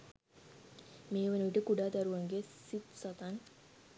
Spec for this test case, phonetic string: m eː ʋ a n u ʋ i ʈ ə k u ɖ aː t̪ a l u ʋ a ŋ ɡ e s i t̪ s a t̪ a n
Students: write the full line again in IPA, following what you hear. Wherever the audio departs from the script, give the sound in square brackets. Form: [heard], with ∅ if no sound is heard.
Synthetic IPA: m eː ʋ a n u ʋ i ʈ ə k u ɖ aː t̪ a [ɾ] u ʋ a ŋ ɡ e s i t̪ s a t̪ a n